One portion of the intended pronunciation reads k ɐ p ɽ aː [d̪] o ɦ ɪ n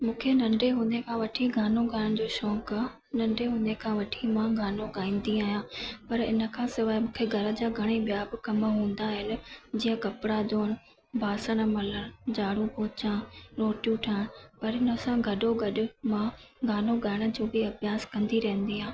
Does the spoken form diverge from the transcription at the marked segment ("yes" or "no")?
no